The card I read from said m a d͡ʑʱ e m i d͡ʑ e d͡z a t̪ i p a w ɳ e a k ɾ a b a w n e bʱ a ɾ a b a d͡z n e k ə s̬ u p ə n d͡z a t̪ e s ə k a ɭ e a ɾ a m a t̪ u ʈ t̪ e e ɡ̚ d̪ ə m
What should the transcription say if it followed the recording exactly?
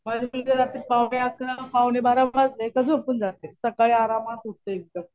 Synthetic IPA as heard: m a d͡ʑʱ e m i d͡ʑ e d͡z a t̪ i p a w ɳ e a k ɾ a p a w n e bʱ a ɾ a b a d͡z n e k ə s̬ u p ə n d͡z a t̪ e s ə k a ɭ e a ɾ a m a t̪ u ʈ t̪ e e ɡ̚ d̪ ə m

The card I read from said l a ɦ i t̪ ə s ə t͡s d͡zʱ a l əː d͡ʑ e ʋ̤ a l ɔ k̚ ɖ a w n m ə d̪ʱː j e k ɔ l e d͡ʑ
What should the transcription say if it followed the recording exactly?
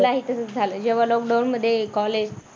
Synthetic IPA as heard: l a ɦ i t̪ ə s ə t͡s d͡zʱ a l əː d͡ʑ e ʋ̤ a l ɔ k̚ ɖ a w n m ə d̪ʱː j e k ɔ l e d͡ʑ

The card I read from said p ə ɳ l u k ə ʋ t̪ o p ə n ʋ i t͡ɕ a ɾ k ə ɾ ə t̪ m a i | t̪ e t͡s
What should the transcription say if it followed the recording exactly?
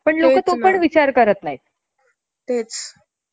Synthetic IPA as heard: p ə ɳ l o k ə t̪ o p ə ɳ ʋ i t͡ɕ a ɾ k ə ɾ ə t̪ n a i | t̪ e t͡s

